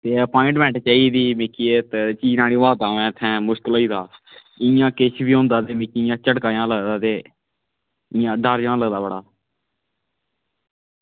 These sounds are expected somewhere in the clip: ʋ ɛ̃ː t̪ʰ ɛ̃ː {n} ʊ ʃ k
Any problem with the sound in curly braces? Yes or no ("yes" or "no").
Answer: yes